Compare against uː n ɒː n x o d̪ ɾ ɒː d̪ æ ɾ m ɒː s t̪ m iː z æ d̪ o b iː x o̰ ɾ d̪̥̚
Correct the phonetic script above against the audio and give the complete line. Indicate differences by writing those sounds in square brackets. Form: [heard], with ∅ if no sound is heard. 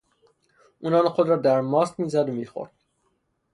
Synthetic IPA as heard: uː n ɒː n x o d̪ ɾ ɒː d̪ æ ɾ m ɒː s t̪ m iː z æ d̪ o [m] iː x o̰ ɾ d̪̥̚